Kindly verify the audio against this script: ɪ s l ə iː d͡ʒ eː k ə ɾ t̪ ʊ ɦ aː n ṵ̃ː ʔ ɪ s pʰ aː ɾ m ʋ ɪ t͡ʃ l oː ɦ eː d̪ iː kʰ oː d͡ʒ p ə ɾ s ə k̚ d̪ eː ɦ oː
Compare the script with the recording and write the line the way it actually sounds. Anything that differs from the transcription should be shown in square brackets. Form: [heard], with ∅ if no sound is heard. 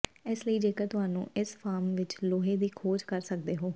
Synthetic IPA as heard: ɪ s l ə iː d͡ʒ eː k ə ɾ t̪ ʊ ɦ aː n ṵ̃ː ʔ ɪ s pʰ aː ɾ m ʋ ɪ t͡ʃ l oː ɦ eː d̪ iː kʰ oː d͡ʒ [k] ə ɾ s ə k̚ d̪ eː ɦ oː